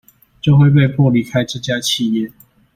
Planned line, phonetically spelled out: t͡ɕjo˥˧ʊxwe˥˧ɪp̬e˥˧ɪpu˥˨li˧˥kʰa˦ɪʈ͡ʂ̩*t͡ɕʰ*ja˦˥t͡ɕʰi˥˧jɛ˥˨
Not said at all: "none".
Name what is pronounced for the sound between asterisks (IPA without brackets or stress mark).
t͡ɕ